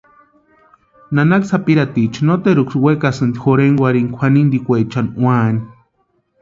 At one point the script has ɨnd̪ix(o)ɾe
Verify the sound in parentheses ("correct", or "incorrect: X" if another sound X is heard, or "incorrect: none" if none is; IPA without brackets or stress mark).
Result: correct